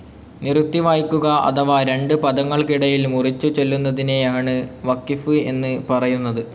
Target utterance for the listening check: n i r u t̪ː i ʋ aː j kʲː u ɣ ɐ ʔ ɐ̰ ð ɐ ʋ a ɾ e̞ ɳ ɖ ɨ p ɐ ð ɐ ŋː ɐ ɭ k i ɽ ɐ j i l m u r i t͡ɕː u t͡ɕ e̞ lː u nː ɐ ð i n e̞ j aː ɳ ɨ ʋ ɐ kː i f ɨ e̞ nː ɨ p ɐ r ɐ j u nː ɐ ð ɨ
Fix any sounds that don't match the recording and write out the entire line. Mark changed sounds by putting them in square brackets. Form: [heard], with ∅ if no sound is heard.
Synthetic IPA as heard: n i r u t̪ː i ʋ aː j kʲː u ɣ ɐ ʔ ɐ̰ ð ɐ ʋ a ɾ e̞ ɳ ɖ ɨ p ɐ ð ɐ ŋː ɐ ɭ k i ɽ ɐ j i l m u r i t͡ɕː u t͡ɕ e̞ lː u nː ɐ ð i n e̞ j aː ɳ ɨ ʋ ɐ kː i f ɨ e̞ nː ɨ p ɐ r ɐ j u nː ɐ ð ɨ